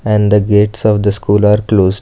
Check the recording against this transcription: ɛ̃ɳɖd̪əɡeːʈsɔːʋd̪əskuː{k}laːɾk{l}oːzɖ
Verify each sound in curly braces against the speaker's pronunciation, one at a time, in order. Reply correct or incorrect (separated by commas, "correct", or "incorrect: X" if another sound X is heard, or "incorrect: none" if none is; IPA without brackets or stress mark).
incorrect: none, correct